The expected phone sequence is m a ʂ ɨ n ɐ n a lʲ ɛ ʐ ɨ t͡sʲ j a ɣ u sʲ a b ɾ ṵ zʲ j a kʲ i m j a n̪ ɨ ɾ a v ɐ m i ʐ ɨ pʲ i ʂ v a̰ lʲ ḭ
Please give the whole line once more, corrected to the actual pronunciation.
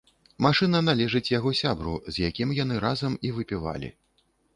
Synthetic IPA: m a ʂ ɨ n ɐ n a lʲ ɛ ʐ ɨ t͡sʲ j a ɣ ɔ sʲ a b ɾ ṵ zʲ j a kʲ i m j a n̪ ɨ ɾ a z ɐ m i v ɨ pʲ i v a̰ lʲ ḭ